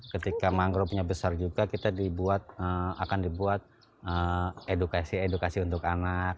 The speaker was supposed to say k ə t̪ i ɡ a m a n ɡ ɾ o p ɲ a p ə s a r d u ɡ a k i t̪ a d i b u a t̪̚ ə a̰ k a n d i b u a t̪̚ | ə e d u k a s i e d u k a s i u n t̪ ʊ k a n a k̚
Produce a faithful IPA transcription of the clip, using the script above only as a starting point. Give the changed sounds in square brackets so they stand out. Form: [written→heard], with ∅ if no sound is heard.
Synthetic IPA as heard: k ə t̪ i [ɡ→k] a m a [n→ŋ] ɡ ɾ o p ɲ a [p→b] ə s a r [d→d͡ʒ] u ɡ a k i t̪ a d i b u a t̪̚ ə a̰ k a n d i b u a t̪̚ | ə e d u k a s i e d u k a s i u n t̪ ʊ k a n a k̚